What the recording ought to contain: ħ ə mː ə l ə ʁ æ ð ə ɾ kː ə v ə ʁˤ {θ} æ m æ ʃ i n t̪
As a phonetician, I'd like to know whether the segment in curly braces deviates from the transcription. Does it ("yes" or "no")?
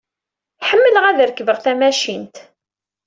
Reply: no